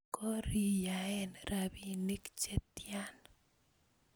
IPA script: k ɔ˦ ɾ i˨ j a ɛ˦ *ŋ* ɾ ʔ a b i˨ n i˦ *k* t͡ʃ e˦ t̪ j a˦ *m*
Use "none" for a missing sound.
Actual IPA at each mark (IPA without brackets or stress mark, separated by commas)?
n, k, n